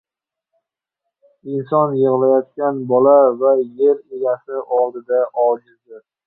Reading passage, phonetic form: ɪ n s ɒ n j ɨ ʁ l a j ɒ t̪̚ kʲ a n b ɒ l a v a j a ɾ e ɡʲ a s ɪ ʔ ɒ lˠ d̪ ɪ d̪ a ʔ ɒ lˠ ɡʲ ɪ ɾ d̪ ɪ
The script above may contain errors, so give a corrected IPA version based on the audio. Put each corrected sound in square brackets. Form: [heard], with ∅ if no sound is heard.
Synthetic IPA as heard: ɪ n s ɒ n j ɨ ʁ l a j ɒ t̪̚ kʲ a n b ɒ l a v a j [e] ɾ e ɡʲ a s ɪ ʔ ɒ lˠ d̪ ɪ d̪ a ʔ ɒ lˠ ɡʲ ɪ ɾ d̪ ɪ